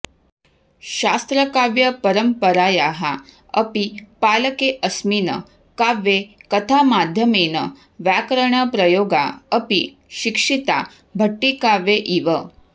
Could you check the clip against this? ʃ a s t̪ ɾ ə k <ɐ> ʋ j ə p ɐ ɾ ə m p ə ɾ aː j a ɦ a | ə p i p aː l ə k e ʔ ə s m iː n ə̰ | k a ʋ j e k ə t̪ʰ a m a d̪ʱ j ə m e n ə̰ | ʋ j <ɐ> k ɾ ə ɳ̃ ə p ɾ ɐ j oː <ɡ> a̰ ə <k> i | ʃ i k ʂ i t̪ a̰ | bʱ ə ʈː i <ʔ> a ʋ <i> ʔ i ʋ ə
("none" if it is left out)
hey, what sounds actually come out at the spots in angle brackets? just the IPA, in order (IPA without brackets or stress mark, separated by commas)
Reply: a, a, ɡ, p, k, e